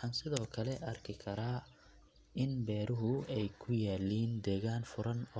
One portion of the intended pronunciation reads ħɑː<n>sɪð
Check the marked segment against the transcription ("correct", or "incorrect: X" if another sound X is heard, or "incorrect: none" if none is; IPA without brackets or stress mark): correct